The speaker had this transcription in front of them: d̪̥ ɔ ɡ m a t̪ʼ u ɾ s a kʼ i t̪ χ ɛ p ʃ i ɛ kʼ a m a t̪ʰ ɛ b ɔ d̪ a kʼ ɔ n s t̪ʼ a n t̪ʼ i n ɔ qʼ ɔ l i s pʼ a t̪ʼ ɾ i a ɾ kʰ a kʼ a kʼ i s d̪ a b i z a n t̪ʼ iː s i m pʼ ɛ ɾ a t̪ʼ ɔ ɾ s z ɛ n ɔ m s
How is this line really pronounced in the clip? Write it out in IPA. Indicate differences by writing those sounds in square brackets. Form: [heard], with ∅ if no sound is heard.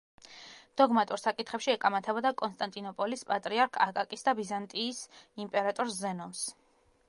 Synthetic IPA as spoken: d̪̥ ɔ ɡ m a t̪ʼ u ɾ s a kʼ i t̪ χ ɛ p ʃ i ɛ kʼ a m a t̪ʰ ɛ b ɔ d̪ a kʼ ɔ n s t̪ʼ a n t̪ʼ i n ɔ [pʼ] ɔ l i s pʼ a t̪ʼ ɾ i a ɾ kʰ a kʼ a kʼ i s d̪ a b i z a n t̪ʼ iː s i m pʼ ɛ ɾ a t̪ʼ ɔ ɾ s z ɛ n ɔ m s